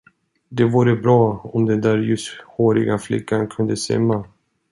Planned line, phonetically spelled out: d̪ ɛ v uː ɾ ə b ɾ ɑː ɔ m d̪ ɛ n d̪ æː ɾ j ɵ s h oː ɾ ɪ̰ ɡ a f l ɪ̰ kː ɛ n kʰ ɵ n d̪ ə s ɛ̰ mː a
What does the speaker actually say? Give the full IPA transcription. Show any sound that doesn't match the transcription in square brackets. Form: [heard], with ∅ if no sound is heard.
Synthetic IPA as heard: d̪ ɛ v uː ɾ ə b ɾ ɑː ɔ m d̪ ɛ n d̪ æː ɾ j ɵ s h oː ɾ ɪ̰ ɡ a f l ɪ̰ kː [a] n kʰ ɵ n d̪ ə s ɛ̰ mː a

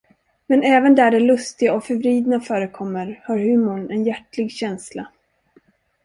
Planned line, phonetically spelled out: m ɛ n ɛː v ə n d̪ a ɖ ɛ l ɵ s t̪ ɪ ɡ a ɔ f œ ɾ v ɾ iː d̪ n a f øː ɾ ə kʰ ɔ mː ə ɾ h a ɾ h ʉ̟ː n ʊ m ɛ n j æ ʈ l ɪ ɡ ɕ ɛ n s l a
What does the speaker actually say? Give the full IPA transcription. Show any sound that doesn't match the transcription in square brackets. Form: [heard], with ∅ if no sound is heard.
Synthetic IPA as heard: m ɛ n ɛː v ə n d̪ [æ] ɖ ɛ l ɵ s t̪ ɪ ɡ a ɔ f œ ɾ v ɾ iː d̪ n a f [œː] ɾ ə kʰ ɔ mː ə ɾ h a ɾ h ʉ̟ː [m] ʊ [ɳ] ɛ n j æ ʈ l ɪ ɡ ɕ ɛ n s l a

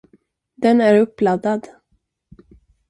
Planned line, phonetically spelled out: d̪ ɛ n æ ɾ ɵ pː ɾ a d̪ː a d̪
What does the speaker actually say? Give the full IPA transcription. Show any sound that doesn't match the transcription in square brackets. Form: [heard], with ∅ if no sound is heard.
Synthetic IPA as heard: d̪ ɛ n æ ɾ ɵ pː [l] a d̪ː a d̪

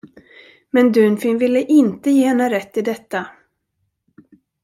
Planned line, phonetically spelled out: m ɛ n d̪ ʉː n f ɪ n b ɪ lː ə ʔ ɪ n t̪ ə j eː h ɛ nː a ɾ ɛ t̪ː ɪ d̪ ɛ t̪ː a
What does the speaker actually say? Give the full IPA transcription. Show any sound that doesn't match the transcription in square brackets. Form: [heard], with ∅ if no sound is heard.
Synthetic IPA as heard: m ɛ n d̪ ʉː n f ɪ n [v] ɪ lː ə ʔ ɪ n t̪ ə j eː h ɛ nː a ɾ ɛ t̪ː ɪ d̪ ɛ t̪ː a

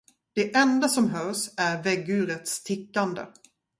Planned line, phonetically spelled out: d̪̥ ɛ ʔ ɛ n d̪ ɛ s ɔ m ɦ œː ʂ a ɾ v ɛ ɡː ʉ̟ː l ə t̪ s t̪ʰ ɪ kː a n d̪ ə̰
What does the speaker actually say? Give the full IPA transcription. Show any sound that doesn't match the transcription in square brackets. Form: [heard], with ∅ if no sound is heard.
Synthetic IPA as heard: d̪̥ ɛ ʔ ɛ n d̪ [a] s ɔ m ɦ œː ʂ [æ] ɾ v ɛ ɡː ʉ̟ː [ɾ] ə t̪ s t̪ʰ ɪ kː a n d̪ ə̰

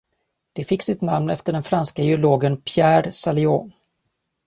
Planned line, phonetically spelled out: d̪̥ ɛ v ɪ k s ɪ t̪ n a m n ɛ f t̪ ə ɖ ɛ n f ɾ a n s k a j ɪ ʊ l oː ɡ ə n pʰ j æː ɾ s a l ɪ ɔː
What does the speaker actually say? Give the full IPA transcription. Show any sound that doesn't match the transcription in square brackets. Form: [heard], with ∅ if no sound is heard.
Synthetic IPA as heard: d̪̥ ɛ [f] ɪ k s ɪ t̪ n a m n ɛ f t̪ ə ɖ ɛ n f ɾ a n s k a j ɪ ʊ l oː ɡ ə n pʰ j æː ɾ s a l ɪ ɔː

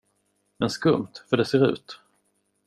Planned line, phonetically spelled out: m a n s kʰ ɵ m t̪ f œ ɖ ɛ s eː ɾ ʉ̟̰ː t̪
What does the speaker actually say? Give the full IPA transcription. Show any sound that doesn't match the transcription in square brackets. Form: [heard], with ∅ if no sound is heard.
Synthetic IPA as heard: m [ɛ] n s [k] ɵ m t̪ f œ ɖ ɛ s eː ɾ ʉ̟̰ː t̪

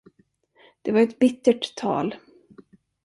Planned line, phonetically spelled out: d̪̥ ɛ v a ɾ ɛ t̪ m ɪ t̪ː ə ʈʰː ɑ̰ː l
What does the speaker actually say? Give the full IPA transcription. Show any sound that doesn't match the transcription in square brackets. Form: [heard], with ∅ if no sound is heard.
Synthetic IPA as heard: d̪̥ ɛ v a ɾ ɛ t̪ [b] ɪ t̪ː ə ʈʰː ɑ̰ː l

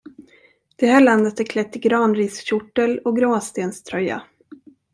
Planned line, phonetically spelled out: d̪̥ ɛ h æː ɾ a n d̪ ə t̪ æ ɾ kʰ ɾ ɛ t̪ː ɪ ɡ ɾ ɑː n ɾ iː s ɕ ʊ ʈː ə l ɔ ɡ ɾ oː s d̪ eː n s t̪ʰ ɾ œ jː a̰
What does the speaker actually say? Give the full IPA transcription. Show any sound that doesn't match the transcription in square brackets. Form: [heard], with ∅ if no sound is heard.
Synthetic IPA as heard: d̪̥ ɛ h æː [ɭ] a n d̪ ə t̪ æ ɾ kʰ [l] ɛ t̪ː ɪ ɡ ɾ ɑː n ɾ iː s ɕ ʊ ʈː ə l ɔ ɡ ɾ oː s [t̪] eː n s t̪ʰ ɾ œ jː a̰

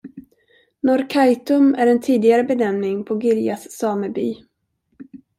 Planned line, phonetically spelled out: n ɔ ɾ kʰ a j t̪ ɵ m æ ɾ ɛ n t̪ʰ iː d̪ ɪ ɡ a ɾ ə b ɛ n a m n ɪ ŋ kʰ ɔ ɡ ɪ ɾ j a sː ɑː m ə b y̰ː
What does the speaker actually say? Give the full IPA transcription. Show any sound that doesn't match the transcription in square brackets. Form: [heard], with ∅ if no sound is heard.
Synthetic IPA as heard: n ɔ ɾ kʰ a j t̪ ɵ m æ ɾ ɛ n t̪ʰ iː d̪ ɪ ɡ a ɾ ə b ɛ n [ɛ] m n ɪ ŋ [pʰ] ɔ ɡ ɪ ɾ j a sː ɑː m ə b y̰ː

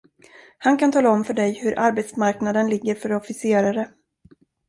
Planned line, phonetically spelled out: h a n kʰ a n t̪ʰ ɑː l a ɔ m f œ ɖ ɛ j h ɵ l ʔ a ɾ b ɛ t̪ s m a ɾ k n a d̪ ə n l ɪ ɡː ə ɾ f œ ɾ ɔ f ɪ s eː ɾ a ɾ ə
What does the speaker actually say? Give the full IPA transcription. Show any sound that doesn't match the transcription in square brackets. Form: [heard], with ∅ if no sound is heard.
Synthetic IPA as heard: h a n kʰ a n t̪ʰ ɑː l a ɔ m f œ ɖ ɛ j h ɵ [ɾ] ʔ a ɾ b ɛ t̪ s m a ɾ k n a d̪ ə n l ɪ ɡː ə ɾ f œ ɾ ɔ f ɪ s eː ɾ a ɾ ə

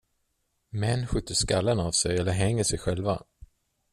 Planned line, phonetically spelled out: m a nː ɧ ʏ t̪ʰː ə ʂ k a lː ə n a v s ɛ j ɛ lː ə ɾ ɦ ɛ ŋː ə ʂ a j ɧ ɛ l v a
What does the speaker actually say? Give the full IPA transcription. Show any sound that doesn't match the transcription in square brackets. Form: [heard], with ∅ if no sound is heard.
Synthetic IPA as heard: m [ɛ] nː ɧ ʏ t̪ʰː ə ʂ k a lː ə n a v s ɛ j ɛ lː ə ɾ ɦ ɛ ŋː ə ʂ [ɛ] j ɧ ɛ l v a

